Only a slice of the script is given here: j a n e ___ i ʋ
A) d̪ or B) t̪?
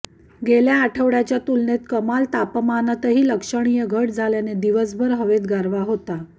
A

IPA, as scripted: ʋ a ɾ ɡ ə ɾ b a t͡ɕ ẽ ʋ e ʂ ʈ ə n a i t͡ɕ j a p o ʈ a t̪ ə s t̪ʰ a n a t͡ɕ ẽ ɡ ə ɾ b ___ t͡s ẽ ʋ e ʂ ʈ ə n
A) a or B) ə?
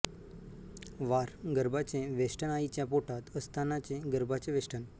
A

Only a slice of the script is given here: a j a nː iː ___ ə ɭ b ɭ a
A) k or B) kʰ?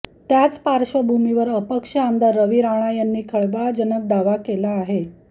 B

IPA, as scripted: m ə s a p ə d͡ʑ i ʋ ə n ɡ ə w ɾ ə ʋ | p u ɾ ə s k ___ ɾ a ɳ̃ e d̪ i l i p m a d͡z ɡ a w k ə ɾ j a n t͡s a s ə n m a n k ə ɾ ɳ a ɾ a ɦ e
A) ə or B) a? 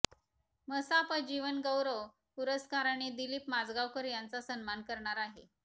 B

